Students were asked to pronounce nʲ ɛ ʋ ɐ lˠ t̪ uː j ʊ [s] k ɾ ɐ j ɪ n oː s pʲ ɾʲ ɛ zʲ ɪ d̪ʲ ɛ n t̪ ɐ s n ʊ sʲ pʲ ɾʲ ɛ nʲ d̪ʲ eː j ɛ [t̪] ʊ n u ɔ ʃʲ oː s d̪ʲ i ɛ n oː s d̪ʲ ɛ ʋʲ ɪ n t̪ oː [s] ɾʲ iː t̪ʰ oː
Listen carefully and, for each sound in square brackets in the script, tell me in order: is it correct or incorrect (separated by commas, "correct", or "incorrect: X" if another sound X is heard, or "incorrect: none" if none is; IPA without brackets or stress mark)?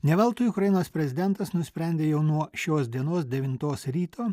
incorrect: none, incorrect: none, correct